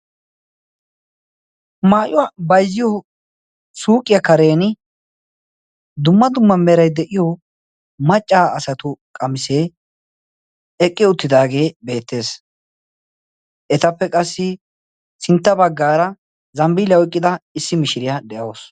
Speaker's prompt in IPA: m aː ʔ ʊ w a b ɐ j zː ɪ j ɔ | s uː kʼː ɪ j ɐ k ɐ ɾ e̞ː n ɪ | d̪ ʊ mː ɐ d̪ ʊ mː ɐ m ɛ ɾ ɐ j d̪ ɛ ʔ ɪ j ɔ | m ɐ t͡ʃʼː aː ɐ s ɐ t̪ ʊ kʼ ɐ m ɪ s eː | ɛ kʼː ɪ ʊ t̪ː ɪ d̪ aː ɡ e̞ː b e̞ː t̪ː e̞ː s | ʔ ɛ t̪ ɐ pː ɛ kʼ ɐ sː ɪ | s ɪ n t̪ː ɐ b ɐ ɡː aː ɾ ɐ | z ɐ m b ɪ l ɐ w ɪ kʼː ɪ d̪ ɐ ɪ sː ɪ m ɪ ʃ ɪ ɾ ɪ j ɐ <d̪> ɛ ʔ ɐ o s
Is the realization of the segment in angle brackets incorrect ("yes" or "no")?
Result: no